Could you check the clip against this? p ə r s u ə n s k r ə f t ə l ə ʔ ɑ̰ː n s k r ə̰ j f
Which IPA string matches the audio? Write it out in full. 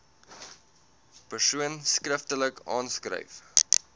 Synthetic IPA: p ə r s u ə n s k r ə f t ə l ə k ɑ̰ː n s k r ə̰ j f